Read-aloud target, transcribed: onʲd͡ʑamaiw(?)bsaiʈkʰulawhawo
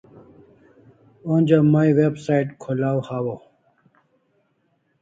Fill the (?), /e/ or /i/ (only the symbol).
e